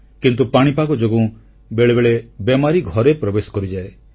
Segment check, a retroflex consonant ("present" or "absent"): present